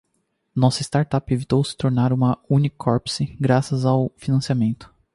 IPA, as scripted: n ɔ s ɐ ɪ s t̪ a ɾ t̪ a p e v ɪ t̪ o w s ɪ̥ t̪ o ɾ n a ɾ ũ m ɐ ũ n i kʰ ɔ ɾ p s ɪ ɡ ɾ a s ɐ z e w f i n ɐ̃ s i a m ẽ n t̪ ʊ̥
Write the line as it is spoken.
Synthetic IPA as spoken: n ɔ s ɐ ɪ s t̪ a ɾ t̪ a p e v i t̪ o w s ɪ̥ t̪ o ɾ n a ɾ ũ m ɐ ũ n i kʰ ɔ ɾ p s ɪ ɡ ɾ a s ɐ z a w f i n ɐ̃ s i a m ẽ n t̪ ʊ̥